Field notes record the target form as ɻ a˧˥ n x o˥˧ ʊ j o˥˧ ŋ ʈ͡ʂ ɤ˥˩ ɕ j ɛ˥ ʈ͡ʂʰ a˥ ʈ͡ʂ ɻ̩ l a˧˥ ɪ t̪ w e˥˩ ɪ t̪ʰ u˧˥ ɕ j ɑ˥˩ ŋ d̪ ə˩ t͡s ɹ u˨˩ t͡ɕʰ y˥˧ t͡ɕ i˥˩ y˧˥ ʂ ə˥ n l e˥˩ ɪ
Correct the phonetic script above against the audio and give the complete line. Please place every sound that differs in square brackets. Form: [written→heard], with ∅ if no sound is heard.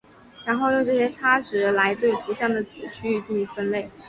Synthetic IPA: ɻ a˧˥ n x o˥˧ ʊ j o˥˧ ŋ ʈ͡ʂ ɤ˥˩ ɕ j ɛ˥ ʈ͡ʂʰ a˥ ʈ͡ʂ ɻ̩ l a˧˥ ɪ t̪ w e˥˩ ɪ t̪ʰ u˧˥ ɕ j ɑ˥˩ ŋ d̪ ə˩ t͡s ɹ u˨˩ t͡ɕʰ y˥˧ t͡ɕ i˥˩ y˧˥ [ʂ→f] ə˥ n l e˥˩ ɪ